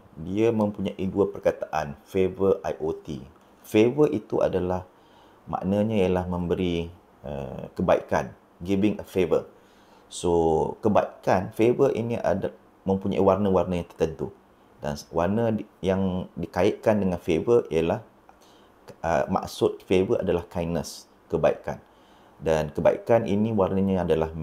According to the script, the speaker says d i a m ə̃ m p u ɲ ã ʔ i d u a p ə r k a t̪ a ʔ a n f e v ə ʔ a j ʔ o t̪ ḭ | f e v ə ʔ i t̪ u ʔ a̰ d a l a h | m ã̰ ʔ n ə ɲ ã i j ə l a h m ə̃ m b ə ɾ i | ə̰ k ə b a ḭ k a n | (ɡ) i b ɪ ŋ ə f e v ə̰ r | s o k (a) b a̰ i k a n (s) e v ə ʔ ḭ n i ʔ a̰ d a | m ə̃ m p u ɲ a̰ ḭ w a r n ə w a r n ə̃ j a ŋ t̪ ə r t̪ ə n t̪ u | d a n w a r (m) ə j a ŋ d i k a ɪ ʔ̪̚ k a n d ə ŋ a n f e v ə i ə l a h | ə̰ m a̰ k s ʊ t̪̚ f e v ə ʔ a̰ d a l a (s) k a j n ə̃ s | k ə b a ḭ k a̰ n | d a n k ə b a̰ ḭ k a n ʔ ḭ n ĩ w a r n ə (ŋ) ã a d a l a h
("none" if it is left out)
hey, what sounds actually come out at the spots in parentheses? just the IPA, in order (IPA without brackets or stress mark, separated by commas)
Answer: ɡ, ə, f, n, h, ɲ